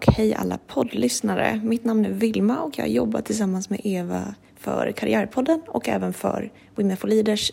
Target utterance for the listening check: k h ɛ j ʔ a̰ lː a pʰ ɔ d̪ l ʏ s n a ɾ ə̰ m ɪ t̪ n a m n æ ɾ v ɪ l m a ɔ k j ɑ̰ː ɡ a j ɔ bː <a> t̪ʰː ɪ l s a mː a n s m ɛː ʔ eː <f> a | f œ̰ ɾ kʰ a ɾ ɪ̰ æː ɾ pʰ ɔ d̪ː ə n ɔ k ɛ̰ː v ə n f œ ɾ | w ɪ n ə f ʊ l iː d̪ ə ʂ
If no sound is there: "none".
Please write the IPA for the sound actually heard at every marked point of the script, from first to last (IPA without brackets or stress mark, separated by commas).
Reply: a, v